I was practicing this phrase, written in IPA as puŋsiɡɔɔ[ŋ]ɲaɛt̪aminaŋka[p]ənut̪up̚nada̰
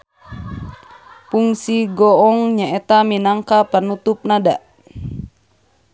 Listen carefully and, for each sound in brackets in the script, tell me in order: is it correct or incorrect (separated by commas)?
correct, correct